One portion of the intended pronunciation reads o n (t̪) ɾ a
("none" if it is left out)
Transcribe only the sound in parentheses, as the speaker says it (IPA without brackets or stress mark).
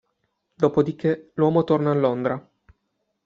d̪